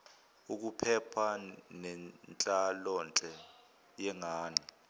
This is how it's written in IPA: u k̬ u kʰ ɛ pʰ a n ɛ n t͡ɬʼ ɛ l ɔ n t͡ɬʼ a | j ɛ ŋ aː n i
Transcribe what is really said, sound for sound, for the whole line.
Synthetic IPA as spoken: u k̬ u pʰ ɛ pʰ a n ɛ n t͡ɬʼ a l ɔ n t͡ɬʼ ɛ | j ɛ ŋ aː n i